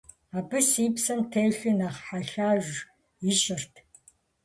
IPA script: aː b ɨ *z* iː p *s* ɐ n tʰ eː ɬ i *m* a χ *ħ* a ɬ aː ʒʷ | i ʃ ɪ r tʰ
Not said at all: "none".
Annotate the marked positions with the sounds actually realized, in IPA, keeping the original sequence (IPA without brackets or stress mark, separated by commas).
s, s, n, ħ